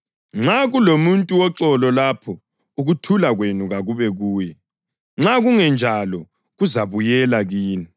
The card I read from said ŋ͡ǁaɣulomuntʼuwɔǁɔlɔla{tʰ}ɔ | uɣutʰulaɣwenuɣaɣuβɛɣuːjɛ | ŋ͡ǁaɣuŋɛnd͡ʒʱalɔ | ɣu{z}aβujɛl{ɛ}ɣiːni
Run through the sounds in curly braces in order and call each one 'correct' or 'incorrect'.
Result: incorrect, correct, incorrect

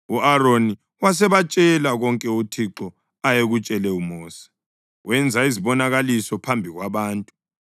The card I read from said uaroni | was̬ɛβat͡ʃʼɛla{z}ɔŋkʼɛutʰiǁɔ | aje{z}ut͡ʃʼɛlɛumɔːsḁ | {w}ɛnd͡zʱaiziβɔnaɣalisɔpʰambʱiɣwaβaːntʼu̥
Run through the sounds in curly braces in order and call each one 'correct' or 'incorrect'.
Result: incorrect, incorrect, correct

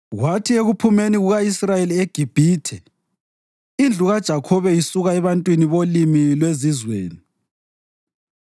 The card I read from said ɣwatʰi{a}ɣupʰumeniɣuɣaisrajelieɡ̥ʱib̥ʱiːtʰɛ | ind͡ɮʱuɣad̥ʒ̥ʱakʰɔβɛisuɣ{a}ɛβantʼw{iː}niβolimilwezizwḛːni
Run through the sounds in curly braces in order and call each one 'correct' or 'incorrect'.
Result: incorrect, correct, incorrect

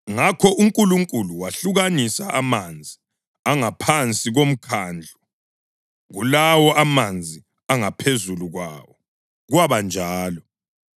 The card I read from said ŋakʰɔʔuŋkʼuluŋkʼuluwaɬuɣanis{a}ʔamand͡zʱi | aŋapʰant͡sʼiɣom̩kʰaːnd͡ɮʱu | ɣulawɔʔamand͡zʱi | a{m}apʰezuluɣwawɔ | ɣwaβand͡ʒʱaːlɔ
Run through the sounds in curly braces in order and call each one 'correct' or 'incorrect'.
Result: correct, incorrect

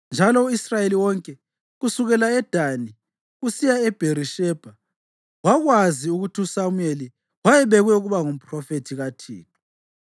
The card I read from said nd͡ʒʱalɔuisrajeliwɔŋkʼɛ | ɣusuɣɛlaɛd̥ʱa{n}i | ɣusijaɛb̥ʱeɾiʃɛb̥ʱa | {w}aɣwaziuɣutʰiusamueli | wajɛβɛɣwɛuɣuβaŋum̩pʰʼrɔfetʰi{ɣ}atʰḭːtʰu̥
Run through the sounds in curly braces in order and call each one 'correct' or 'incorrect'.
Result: correct, correct, correct

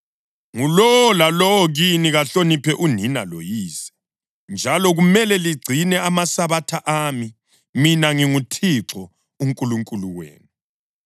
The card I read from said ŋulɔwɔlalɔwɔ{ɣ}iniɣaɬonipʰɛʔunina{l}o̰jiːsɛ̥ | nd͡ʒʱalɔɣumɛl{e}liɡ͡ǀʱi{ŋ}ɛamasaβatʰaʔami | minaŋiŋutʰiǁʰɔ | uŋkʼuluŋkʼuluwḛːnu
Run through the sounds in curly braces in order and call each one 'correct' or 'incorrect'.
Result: correct, correct, incorrect, incorrect

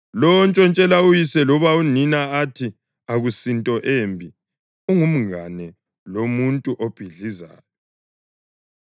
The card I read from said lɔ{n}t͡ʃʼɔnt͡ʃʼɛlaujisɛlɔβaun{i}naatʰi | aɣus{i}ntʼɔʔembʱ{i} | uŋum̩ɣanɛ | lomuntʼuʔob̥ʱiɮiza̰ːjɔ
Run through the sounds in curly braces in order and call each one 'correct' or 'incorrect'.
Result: correct, correct, correct, correct

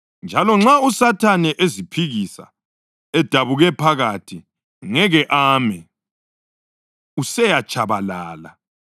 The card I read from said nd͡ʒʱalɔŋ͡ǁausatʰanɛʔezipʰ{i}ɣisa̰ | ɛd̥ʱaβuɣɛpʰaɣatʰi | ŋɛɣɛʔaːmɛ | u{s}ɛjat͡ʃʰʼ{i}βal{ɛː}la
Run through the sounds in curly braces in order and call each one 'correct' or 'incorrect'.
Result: correct, correct, incorrect, incorrect

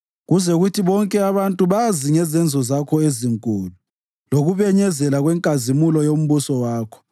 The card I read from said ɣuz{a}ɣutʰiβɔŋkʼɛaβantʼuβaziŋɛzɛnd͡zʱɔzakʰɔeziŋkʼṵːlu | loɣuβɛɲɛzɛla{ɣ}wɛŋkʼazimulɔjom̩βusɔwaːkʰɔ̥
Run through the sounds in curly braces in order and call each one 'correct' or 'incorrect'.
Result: incorrect, correct

